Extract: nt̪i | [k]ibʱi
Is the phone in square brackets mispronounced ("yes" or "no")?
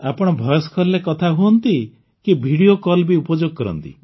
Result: no